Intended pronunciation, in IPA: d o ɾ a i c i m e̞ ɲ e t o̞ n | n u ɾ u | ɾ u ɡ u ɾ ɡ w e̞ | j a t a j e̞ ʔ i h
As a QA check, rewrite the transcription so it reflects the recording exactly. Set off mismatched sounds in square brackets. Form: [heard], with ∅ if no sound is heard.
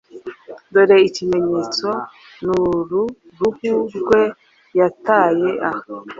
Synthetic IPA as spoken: d o ɾ [e] i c i m e̞ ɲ e [t͡s] o̞ [∅] | n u ɾ u | ɾ u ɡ u ɾ ɡ w e̞ | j a t a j e̞ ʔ [a] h

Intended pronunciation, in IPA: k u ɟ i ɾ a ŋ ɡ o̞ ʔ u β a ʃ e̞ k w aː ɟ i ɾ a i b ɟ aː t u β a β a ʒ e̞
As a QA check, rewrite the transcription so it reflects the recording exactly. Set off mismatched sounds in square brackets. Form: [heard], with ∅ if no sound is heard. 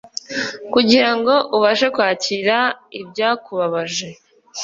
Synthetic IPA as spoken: k u ɟ i ɾ a ŋ ɡ o̞ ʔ u β a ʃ e̞ k w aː [c] i ɾ a i b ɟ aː [k] u β a β a ʒ e̞

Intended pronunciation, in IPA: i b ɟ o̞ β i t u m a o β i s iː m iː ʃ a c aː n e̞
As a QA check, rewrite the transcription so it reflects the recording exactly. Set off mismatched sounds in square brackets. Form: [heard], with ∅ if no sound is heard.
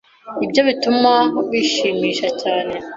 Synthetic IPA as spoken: i b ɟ o̞ β i t u m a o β i [ʃ] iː m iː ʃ a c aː n e̞

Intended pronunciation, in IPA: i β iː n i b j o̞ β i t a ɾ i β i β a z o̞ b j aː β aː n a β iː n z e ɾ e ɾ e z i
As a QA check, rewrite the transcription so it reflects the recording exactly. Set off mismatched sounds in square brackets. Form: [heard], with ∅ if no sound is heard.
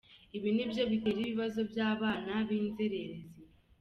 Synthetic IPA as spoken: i β [i] n i b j o̞ β i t [e] ɾ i β i β a z o̞ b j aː β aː n a β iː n z e ɾ e ɾ e z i

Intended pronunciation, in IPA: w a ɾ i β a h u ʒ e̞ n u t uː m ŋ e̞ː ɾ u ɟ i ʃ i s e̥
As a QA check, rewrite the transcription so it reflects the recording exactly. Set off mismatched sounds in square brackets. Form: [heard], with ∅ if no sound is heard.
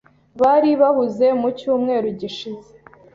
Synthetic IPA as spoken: [β] a ɾ i β a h u [z] e̞ [m] u [c] uː m ŋ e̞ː ɾ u ɟ i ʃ i [z] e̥

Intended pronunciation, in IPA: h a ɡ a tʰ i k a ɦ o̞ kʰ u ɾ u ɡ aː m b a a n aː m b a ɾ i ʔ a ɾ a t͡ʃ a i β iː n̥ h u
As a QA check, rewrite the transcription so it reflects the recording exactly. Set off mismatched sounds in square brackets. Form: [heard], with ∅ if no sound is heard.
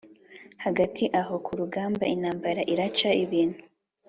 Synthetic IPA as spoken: h a ɡ a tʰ i [ʔ] a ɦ o̞ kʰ u ɾ u ɡ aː m b a [i] n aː m b a ɾ [a] ʔ [i] ɾ a t͡ʃ a i β iː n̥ h u

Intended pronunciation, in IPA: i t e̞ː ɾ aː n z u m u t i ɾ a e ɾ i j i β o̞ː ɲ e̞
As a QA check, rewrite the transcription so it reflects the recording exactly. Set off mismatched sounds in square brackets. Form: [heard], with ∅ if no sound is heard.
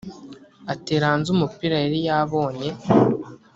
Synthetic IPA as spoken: [a] t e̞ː ɾ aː n z u m u [p] i ɾ a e ɾ i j [a] β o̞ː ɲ e̞

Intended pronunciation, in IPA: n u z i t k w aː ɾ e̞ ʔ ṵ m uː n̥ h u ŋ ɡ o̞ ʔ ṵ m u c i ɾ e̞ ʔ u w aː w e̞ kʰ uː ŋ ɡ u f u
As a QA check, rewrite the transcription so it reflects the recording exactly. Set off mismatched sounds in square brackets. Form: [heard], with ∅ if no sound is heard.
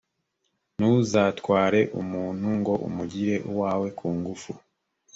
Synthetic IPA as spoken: n u z [a] t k w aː ɾ e̞ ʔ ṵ m uː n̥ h u ŋ ɡ o̞ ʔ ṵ m u [ɟ] i ɾ e̞ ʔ u w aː w e̞ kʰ uː ŋ ɡ u f u

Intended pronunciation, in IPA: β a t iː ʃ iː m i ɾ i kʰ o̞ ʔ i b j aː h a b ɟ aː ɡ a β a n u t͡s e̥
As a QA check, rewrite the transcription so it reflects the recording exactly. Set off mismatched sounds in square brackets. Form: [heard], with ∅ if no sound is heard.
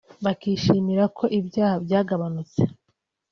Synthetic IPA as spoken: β a [k] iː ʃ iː m i ɾ [a] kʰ o̞ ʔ i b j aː h a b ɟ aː ɡ a β a n u t͡s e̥

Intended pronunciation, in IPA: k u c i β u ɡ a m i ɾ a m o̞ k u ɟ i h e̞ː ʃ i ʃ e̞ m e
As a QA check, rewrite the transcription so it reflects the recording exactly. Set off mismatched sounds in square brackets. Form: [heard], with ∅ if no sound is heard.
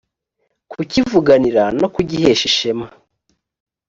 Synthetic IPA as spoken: k u c i [v] u ɡ a [n] i ɾ a [n] o̞ k u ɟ i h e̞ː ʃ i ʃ e̞ m [a]

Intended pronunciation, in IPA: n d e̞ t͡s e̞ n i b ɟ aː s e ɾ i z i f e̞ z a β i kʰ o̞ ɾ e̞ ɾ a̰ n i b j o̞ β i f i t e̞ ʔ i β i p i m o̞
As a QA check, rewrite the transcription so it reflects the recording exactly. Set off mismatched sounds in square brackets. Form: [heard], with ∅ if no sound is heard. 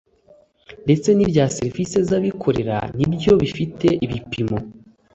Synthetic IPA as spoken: n d e̞ t͡s e̞ n i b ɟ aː s e ɾ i [v] i [s] e̞ z a β i kʰ o̞ ɾ e̞ ɾ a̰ n i b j o̞ β i f i t e̞ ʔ i β i p i m o̞

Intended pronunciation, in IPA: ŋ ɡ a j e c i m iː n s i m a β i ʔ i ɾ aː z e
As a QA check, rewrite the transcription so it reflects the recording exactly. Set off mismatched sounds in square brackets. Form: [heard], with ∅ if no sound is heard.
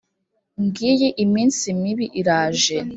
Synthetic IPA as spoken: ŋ ɡ [i] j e [ʔ] i m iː n s i m [i] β i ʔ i ɾ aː [ʒ] e

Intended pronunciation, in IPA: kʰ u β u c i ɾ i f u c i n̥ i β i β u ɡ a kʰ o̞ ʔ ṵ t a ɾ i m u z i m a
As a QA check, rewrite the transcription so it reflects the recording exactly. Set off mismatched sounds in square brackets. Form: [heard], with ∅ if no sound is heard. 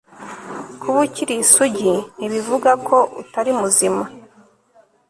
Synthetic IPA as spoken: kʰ u β u c i ɾ i [s] u [ɟ] i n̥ i β i [v] u ɡ a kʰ o̞ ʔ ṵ t a ɾ i m u z i m a

